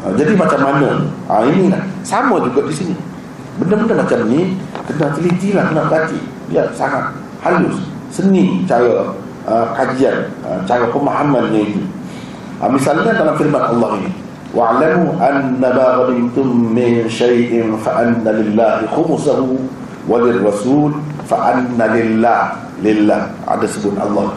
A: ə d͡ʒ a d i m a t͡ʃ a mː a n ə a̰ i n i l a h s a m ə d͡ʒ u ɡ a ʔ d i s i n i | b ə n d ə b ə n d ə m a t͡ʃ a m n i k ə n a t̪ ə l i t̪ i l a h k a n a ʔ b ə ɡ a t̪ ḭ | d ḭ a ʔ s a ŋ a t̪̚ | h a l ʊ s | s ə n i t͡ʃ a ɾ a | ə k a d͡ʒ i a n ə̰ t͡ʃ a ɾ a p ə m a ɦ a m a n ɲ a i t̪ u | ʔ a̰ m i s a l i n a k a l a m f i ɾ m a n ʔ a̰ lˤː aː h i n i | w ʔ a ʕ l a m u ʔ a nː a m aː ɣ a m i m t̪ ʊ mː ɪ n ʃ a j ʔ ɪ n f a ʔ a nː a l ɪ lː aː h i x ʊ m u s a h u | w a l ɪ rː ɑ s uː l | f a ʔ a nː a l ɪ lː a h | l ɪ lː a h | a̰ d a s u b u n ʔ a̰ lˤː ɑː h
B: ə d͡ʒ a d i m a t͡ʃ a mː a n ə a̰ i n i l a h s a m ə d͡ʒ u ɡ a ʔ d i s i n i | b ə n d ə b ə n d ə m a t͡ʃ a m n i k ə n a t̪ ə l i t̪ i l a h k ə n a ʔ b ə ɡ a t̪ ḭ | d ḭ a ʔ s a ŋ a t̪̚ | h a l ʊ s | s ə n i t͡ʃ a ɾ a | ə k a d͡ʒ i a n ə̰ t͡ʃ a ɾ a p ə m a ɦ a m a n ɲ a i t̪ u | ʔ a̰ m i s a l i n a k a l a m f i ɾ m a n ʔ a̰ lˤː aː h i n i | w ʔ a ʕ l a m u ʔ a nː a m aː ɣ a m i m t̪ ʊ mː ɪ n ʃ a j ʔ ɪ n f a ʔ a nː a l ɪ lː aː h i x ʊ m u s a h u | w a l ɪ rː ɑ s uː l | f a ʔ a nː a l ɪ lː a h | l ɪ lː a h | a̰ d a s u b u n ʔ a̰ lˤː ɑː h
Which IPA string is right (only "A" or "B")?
B